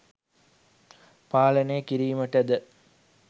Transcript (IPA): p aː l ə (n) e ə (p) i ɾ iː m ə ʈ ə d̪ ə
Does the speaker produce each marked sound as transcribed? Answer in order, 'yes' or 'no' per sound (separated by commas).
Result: yes, no